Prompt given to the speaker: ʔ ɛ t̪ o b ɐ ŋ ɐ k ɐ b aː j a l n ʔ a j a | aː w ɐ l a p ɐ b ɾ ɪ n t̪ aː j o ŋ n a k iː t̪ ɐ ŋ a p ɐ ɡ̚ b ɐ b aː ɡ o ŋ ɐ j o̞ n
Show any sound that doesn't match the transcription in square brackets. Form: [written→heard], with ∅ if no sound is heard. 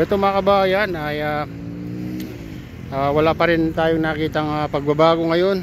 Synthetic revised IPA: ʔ ɛ t̪ o [b→m] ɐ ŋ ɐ k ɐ b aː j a [l→∅] n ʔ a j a | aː w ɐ l a p ɐ [b→∅] ɾ ɪ n t̪ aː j o ŋ n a k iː t̪ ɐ ŋ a p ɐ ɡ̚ b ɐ b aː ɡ o ŋ ɐ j o̞ n